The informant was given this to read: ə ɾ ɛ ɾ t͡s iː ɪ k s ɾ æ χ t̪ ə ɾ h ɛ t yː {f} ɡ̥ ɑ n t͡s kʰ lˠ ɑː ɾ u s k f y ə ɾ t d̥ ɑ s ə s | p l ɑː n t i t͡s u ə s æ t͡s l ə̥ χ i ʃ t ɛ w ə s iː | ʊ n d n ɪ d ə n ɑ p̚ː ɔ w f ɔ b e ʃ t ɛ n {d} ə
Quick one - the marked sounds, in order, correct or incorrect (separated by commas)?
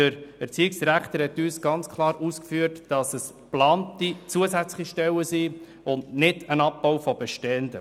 incorrect, correct